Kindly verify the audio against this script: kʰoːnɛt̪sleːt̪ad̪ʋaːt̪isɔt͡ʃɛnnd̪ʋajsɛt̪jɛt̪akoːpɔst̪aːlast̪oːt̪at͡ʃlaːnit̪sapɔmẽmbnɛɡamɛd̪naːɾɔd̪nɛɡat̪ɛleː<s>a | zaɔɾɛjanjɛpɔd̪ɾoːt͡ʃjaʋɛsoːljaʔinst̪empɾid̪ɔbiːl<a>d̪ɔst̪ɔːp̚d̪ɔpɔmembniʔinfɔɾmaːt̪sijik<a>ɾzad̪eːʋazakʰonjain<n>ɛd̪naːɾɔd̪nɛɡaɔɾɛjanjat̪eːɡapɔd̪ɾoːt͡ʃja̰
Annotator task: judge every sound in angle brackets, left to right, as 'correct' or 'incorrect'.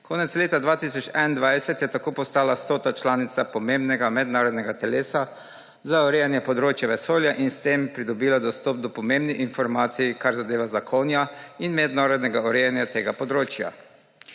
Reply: correct, correct, correct, incorrect

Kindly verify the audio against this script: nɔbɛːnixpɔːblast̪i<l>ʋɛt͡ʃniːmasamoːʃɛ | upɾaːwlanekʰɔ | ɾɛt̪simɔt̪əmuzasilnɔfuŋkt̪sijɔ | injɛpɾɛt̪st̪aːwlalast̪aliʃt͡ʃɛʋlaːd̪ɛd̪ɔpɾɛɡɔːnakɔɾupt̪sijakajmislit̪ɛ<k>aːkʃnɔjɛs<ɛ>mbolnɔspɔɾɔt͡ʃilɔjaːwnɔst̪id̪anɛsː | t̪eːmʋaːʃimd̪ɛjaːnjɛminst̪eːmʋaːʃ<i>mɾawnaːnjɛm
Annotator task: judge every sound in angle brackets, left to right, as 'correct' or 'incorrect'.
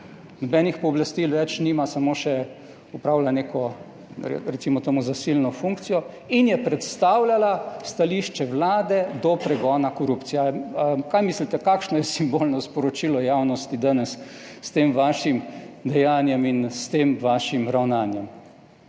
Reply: correct, correct, incorrect, correct

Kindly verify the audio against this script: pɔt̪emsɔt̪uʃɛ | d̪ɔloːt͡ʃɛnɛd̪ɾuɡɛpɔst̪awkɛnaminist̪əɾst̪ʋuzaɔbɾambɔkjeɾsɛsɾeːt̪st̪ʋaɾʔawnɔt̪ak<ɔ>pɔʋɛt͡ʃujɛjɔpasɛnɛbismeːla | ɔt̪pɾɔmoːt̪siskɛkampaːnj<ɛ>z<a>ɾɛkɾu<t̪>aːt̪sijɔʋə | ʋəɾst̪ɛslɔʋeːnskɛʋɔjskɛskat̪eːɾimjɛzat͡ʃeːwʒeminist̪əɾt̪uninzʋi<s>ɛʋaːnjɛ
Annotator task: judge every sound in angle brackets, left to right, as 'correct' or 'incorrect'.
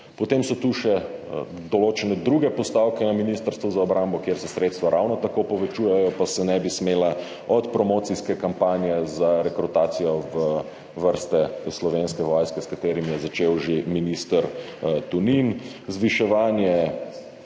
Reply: incorrect, correct, correct, correct, incorrect

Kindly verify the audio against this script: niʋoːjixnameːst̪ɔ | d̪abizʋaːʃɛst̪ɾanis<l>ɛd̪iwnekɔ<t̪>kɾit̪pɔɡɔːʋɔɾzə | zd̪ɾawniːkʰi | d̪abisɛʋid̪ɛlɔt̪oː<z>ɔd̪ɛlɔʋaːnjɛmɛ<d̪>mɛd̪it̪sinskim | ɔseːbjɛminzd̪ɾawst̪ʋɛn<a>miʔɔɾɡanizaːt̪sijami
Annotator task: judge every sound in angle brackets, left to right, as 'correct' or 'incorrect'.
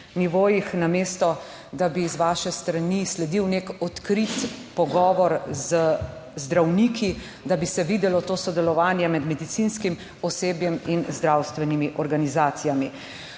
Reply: correct, correct, incorrect, correct, incorrect

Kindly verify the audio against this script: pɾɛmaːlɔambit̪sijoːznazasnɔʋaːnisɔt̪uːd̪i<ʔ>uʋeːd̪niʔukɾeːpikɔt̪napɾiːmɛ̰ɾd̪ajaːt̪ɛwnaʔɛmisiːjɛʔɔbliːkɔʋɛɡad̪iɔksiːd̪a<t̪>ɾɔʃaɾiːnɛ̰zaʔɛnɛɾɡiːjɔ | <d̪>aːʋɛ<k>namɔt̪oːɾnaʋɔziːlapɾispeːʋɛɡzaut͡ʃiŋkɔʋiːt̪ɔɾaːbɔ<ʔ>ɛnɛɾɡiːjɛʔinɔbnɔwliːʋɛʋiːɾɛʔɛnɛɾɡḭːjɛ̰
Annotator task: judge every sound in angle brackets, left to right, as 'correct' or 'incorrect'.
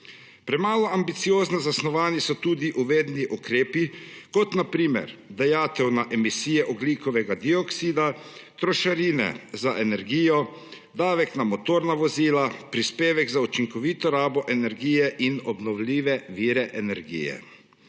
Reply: correct, correct, correct, correct, correct

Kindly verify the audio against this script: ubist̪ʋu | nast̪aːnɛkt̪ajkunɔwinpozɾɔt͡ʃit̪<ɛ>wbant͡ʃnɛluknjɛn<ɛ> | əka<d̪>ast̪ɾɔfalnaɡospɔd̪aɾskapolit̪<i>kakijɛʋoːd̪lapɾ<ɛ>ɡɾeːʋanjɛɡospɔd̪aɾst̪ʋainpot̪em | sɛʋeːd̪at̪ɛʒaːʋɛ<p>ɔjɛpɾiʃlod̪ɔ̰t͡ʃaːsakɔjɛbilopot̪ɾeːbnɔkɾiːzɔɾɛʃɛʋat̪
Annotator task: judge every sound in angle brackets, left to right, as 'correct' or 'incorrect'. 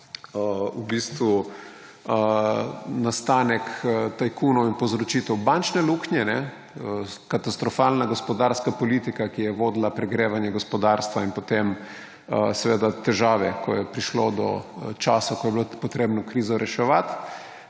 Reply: correct, correct, incorrect, correct, correct, incorrect

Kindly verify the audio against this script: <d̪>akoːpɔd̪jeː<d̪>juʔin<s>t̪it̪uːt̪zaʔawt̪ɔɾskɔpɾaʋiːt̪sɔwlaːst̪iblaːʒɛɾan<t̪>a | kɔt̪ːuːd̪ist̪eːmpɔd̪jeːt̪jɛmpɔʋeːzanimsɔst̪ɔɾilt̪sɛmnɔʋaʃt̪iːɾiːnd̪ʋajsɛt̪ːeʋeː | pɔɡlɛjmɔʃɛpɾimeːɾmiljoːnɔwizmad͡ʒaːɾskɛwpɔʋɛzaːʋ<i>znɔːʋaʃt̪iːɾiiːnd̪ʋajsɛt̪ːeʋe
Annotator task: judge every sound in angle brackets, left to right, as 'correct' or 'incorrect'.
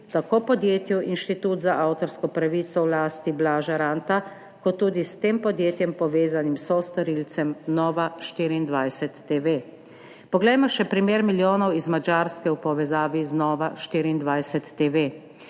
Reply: incorrect, incorrect, incorrect, correct, correct

